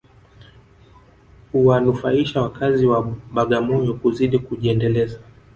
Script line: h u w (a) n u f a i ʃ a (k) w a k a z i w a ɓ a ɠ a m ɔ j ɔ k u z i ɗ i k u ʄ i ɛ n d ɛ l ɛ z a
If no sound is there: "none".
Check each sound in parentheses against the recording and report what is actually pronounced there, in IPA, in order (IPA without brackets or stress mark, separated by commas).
a, none